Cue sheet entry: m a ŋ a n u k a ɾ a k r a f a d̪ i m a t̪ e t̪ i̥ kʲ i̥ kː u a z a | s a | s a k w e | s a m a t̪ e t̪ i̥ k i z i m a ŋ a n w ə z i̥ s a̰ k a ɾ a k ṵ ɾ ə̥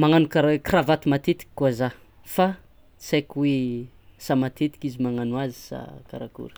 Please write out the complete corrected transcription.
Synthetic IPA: m a ŋ a n u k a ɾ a k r a v a t̪ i m a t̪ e t̪ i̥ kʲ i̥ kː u a z a | f a | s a k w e | s a m a t̪ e t̪ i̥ k i z i m a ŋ a n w a z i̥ s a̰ k a ɾ a k ṵ ɾ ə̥